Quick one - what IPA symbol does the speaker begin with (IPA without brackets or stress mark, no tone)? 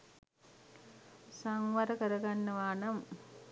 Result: s